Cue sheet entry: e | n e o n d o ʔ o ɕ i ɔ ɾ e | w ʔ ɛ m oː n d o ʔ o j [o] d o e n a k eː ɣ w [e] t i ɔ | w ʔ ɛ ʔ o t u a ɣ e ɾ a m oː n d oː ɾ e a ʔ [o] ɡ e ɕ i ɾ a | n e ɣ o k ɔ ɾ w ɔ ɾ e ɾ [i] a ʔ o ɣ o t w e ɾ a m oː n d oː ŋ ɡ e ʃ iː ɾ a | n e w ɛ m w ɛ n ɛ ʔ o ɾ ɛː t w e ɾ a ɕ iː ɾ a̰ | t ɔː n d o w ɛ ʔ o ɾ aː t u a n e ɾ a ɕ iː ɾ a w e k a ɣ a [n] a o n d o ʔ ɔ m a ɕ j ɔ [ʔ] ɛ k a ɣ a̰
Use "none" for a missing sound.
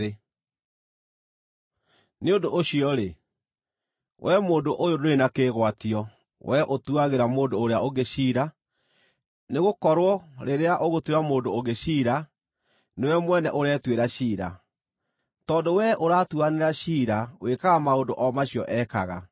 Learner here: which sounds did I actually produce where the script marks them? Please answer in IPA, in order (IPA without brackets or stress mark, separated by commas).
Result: o, a, o, e, m, ʔ